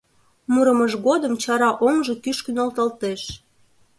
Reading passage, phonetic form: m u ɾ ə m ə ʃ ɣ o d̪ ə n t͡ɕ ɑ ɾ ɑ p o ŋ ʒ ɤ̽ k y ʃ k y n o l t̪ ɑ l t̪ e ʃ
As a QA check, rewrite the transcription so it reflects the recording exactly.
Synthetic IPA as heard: m u ɾ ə m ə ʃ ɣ o d̪ ə m t͡ɕ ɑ ɾ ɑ ʔ o ŋ ʒ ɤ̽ k y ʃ k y n o l t̪ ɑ l t̪ e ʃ